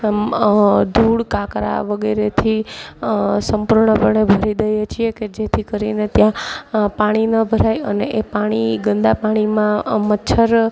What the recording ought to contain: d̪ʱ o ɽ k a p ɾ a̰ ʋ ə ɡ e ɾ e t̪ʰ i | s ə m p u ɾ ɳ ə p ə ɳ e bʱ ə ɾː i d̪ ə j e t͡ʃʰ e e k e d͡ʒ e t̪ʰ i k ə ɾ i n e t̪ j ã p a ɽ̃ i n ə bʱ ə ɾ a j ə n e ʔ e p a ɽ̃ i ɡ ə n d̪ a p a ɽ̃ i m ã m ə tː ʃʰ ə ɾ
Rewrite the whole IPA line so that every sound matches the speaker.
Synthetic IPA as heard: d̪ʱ u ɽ k a k ɾ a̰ ʋ ə ɡ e ɾ e t̪ʰ i | s ə m p u ɾ ɳ ə p ə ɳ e bʱ ə ɾ i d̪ ə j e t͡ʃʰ i e k e d͡ʒ e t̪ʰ i k ə ɾ i n e t̪ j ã p a ɽ̃ i n ə bʱ ə ɾ a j ə n e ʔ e p a ɽ̃ i ɡ ə n d̪ a p a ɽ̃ i m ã m ə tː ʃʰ ə ɾ